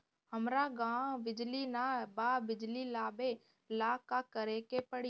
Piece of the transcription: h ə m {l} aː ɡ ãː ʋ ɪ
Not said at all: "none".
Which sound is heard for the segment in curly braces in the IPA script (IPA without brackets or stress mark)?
ɾ